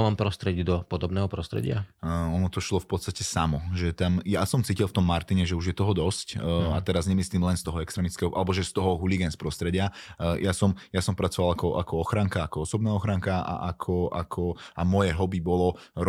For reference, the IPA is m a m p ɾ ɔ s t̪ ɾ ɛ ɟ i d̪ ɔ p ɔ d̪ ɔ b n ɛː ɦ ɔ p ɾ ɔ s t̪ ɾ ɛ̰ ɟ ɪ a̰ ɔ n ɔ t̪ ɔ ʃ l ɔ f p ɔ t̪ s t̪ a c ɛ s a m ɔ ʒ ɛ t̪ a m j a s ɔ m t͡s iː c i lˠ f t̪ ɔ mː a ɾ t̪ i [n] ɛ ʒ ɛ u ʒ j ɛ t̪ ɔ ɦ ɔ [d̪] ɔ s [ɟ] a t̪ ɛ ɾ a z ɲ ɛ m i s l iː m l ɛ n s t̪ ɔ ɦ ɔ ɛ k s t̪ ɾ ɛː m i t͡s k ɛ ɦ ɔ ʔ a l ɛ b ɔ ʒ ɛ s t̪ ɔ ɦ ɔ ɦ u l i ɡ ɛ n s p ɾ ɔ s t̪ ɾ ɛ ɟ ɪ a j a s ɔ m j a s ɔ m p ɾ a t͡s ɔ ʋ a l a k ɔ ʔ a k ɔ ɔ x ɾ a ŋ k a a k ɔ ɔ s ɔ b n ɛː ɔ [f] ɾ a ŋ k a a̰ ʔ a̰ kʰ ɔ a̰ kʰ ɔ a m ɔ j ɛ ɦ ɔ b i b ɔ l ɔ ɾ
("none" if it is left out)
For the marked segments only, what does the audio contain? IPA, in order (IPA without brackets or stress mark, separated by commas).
ɲ, d̪, c, x